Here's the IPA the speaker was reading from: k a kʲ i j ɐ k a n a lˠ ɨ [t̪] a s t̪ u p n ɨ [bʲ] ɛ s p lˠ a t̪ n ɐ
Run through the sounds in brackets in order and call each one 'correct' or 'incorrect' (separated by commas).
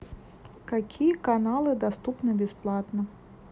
incorrect, correct